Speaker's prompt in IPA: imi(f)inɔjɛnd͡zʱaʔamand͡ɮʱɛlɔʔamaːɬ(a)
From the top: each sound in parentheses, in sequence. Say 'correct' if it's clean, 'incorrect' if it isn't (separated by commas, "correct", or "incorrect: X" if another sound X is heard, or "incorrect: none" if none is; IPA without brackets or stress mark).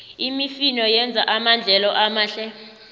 correct, incorrect: ɛ